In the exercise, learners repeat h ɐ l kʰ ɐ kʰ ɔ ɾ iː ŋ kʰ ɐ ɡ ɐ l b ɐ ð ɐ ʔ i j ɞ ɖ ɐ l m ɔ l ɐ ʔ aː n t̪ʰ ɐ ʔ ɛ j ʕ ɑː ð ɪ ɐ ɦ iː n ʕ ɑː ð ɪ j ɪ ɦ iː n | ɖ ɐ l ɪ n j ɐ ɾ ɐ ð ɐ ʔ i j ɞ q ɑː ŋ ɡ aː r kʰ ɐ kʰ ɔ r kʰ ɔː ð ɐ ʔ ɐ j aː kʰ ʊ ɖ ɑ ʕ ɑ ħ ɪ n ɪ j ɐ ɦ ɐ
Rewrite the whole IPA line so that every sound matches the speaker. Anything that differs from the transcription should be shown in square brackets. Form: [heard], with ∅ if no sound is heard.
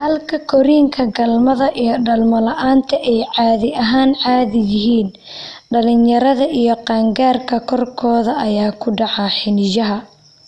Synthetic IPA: h ɐ l kʰ ɐ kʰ ɔ ɾ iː ŋ kʰ ɐ ɡ ɐ l [m] ɐ ð ɐ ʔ i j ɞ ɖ ɐ l m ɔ l ɐ ʔ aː n t̪ʰ ɐ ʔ ɛ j ʕ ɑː ð ɪ ɐ ɦ [aː] n ʕ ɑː ð ɪ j ɪ ɦ iː n | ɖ ɐ l ɪ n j ɐ ɾ ɐ ð ɐ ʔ i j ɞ q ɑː ŋ ɡ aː r kʰ ɐ kʰ ɔ r kʰ ɔː ð ɐ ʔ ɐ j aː kʰ ʊ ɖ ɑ ʕ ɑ ħ ɪ n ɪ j ɐ ɦ ɐ

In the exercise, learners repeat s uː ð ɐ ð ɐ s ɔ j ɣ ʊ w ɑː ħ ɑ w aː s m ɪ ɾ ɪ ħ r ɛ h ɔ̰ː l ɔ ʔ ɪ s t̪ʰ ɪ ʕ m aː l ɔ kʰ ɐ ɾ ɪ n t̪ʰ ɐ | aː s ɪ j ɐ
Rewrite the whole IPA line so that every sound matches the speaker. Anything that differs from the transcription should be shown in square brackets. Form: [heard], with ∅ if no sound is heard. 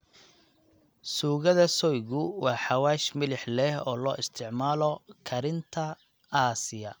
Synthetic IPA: s uː [ɣ] ɐ ð ɐ s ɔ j ɣ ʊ w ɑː ħ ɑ w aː [ʃ] m ɪ [l] ɪ ħ [l] ɛ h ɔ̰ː l [ɔː] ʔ ɪ s t̪ʰ ɪ ʕ m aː l ɔ kʰ ɐ ɾ ɪ n t̪ʰ ɐ | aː s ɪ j ɐ

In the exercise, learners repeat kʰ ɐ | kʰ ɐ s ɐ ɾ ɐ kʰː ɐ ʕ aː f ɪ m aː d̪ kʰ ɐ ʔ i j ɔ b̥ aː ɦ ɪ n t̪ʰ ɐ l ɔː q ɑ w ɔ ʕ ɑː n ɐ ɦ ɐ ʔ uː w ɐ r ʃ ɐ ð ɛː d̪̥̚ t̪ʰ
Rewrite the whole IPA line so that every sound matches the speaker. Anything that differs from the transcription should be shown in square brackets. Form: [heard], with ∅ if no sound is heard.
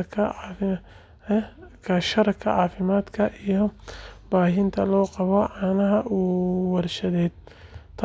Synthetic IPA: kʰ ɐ | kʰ ɐ [ʃ] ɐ ɾ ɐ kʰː ɐ ʕ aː f ɪ m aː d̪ kʰ ɐ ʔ i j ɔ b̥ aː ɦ ɪ n t̪ʰ ɐ l ɔː q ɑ [β] ɔ ʕ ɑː n ɐ ɦ ɐ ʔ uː w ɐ r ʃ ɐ ð ɛː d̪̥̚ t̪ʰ

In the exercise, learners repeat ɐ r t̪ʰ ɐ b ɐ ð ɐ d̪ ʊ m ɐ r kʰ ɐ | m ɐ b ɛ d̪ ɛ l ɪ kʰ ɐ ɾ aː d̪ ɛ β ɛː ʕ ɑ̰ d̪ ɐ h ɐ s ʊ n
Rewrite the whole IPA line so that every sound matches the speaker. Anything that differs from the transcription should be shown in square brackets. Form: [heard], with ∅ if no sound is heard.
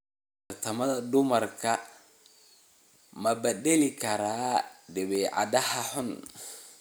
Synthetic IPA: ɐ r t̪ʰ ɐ [m] ɐ ð ɐ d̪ ʊ m ɐ r kʰ ɐ | m ɐ b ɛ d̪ ɛ l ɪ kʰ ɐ ɾ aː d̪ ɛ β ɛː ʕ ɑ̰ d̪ ɐ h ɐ [ħ] ʊ n

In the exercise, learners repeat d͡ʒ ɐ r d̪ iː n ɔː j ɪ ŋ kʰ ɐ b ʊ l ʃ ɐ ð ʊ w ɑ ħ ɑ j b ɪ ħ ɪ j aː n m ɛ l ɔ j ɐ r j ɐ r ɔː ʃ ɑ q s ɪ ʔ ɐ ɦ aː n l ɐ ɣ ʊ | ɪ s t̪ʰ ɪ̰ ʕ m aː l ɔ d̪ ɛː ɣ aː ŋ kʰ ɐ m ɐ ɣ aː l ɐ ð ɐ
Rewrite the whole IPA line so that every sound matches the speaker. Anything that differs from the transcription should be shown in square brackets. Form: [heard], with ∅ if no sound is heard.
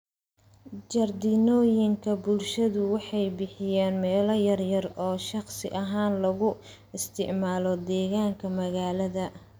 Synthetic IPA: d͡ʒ ɐ r d̪ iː n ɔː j ɪ ŋ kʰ ɐ b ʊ l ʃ ɐ ð ʊ w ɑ ħ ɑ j b ɪ ħ ɪ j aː n m [ɛː] l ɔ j ɐ r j ɐ r ɔː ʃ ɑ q s ɪ ʔ ɐ ɦ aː n l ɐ ɣ ʊ | ɪ s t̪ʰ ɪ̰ ʕ m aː l ɔ d̪ ɛː ɣ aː ŋ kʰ ɐ m ɐ ɣ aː l ɐ ð ɐ

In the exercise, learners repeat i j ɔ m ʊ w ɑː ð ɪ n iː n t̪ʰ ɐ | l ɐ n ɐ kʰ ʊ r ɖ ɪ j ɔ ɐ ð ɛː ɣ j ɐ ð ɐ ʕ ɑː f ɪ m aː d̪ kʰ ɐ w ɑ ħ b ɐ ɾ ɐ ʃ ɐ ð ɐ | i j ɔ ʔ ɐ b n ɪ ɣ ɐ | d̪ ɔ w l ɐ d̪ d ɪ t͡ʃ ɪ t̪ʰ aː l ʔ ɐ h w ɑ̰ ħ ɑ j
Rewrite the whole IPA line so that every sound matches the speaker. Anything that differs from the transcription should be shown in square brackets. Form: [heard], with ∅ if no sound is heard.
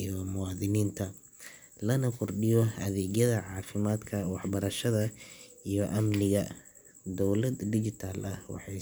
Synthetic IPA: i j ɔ m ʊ w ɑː ð ɪ n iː n t̪ʰ ɐ | l ɐ n ɐ kʰ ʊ r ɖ ɪ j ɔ ɐ ð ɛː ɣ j ɐ ð ɐ ʕ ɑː f ɪ m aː d̪ kʰ ɐ w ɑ ħ b ɐ ɾ ɐ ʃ ɐ ð ɐ | i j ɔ ʔ ɐ [m] n ɪ ɣ ɐ | d̪ ɔ w l ɐ d̪ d ɪ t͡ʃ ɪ t̪ʰ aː l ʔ ɐ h w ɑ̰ ħ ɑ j

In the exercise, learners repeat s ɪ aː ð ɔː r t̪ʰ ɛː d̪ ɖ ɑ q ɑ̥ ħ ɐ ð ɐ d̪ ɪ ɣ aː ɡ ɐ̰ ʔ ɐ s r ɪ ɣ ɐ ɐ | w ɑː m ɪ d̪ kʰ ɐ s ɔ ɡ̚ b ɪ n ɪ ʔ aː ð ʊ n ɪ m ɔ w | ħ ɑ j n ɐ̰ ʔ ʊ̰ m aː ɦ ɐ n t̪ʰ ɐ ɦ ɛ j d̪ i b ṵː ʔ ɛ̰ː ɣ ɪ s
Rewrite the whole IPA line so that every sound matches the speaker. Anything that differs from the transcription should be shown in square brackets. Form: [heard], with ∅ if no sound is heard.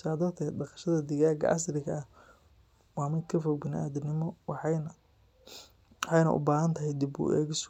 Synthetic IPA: s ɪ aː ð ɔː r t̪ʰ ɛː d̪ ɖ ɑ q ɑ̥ [ʃ] ɐ ð ɐ d̪ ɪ ɣ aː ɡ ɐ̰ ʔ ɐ s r ɪ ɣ ɐ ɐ | w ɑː m ɪ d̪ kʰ ɐ [f] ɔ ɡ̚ b ɪ n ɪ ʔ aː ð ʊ n ɪ m ɔ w | ħ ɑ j n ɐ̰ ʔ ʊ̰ [b] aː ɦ ɐ n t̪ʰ ɐ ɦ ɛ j d̪ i b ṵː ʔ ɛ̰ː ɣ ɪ s

